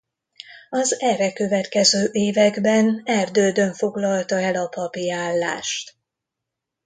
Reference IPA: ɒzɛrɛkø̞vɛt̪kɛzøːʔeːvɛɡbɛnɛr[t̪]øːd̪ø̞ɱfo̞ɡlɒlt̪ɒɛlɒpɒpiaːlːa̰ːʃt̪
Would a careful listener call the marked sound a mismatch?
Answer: yes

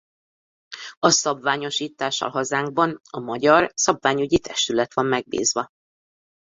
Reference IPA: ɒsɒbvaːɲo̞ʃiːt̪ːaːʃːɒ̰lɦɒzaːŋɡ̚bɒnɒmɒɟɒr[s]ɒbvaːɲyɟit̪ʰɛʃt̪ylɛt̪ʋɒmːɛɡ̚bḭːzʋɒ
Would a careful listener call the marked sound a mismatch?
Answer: no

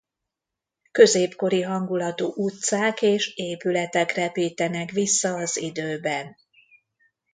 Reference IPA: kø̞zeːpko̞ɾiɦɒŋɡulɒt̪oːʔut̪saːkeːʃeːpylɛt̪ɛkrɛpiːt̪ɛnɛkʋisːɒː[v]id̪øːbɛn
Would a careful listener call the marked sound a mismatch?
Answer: yes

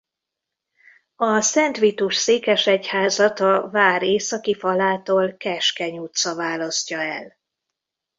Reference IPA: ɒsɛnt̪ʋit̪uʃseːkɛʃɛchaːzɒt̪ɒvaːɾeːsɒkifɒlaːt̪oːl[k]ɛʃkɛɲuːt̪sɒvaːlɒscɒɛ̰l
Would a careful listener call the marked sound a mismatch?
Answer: no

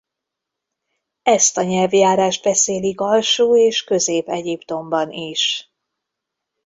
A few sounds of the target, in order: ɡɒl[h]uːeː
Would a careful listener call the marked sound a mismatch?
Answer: yes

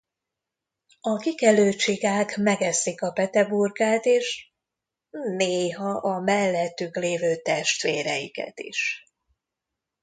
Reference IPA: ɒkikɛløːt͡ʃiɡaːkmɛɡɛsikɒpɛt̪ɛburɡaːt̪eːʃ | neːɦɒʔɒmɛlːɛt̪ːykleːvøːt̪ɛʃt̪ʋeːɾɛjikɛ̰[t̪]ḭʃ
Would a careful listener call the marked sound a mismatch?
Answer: no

